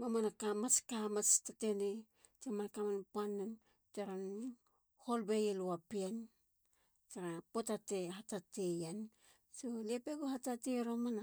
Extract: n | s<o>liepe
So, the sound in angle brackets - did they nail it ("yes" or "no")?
yes